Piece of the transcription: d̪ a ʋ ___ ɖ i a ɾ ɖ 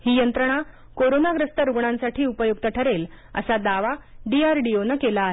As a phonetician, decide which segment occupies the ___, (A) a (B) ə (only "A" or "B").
A